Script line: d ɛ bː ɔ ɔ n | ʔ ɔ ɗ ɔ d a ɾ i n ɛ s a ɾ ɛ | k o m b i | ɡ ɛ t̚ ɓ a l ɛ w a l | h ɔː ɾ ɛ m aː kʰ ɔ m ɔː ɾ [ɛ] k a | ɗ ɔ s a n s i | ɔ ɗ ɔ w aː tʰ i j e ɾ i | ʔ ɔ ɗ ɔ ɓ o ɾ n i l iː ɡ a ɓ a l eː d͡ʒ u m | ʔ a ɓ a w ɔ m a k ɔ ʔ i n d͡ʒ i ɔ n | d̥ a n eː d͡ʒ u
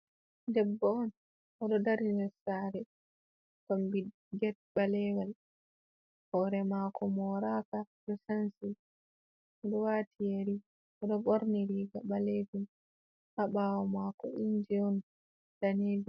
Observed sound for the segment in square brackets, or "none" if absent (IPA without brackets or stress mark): a